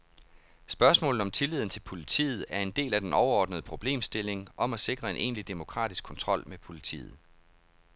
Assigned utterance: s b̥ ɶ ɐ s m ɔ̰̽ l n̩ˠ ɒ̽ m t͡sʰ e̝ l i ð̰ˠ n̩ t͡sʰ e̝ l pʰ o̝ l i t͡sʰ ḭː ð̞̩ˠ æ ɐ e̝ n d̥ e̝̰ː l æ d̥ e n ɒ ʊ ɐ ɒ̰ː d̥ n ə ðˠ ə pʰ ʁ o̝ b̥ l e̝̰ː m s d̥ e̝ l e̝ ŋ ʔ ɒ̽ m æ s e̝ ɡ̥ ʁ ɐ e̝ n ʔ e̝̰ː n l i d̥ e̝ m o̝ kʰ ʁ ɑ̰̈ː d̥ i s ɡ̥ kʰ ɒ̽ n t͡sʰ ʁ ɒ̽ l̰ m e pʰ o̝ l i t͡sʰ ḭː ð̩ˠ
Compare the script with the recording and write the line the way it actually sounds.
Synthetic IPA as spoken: s b̥ ɶ ɐ s m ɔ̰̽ l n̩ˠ ɒ̽ m t͡sʰ e̝ l i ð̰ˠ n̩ t͡sʰ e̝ l pʰ o̝ l i t͡sʰ ḭː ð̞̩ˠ æ ɐ e̝ n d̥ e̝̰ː l æ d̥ e n ɒ ʊ ɐ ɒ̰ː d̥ n ə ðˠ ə pʰ ʁ o̝ b̥ l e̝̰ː m s d̥ e̝ l e̝ ŋ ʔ ɒ̽ m æ s e̝ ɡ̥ ʁ ɐ e̝ n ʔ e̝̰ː n l i d̥ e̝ m o̝ kʰ ʁ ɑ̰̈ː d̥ i s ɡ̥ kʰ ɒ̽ n t͡sʰ ʁ ɒ̽ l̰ m e pʰ o̝ l i t͡sʰ ḭː ð̩ˠ